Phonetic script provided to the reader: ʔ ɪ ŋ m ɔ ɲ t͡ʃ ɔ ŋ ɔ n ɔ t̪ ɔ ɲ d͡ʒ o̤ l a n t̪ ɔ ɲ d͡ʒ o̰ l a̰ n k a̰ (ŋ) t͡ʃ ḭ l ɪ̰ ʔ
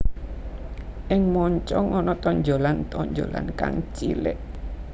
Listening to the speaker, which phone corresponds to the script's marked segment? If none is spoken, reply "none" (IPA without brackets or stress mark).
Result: ŋ